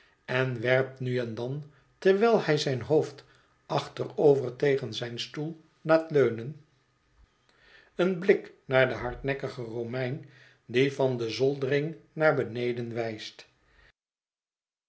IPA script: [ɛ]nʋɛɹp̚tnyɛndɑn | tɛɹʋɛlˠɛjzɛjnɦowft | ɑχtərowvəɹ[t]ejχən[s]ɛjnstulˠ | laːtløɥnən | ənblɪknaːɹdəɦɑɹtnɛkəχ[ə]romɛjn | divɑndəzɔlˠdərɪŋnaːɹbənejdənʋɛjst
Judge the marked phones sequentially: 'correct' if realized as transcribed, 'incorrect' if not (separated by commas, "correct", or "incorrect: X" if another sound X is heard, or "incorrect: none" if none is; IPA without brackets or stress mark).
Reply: correct, correct, incorrect: z, correct